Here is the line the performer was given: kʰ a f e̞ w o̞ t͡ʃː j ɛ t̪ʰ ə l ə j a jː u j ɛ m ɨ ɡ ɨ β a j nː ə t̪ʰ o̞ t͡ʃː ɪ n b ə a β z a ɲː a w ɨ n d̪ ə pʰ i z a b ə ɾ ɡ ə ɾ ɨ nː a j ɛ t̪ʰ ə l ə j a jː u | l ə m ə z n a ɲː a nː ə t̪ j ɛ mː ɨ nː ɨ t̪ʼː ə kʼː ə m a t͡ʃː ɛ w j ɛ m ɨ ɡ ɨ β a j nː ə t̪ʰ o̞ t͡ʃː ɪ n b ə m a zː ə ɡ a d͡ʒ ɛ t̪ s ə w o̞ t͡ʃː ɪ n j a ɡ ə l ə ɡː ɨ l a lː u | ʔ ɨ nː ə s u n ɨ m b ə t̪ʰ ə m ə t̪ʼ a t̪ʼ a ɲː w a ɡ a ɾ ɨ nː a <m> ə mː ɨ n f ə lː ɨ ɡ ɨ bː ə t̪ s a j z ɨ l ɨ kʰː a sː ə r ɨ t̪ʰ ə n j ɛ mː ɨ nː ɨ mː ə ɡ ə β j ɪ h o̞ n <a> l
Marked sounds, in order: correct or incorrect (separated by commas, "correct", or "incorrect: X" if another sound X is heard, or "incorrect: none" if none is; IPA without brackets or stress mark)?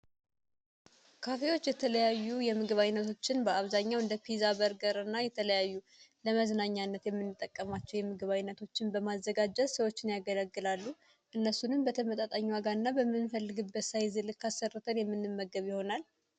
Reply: incorrect: b, correct